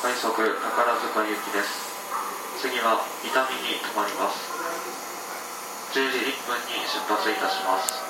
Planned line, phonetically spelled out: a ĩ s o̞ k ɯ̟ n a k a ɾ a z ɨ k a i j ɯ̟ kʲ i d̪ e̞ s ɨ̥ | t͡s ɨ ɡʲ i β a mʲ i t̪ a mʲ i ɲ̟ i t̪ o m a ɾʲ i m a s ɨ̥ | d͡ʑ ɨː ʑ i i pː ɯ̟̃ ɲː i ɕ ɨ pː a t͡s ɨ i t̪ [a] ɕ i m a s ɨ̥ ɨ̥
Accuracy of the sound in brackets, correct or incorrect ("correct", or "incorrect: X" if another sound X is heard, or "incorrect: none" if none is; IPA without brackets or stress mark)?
correct